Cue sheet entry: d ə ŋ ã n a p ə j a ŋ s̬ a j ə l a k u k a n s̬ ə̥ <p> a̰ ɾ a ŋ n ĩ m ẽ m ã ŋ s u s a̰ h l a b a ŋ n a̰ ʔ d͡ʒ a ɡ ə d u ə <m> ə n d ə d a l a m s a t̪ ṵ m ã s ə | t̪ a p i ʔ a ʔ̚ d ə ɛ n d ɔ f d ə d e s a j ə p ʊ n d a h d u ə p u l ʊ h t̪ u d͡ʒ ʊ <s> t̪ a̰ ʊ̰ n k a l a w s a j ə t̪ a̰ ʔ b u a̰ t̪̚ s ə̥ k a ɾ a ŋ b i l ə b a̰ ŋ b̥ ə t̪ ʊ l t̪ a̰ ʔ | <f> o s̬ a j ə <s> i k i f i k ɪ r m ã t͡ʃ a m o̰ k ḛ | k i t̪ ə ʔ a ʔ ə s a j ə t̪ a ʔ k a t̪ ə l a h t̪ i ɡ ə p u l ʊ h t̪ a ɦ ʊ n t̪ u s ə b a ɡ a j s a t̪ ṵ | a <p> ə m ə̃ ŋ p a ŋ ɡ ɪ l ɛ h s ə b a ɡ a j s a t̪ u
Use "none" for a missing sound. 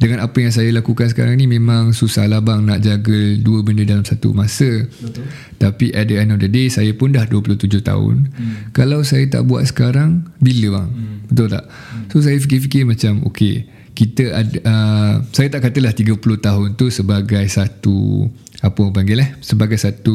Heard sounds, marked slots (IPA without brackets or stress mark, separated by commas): k, b, h, s, f, p